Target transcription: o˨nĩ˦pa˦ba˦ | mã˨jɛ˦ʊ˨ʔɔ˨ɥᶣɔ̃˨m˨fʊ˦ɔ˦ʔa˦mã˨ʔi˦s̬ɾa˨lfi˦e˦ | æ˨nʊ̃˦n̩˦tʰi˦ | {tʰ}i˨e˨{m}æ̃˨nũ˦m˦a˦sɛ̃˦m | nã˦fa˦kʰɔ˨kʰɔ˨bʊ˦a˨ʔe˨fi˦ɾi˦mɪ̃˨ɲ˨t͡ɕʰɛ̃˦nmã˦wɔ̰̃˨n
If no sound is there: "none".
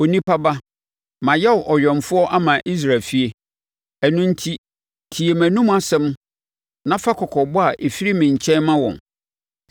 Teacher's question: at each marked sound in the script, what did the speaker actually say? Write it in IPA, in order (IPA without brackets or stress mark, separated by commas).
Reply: tʰ, m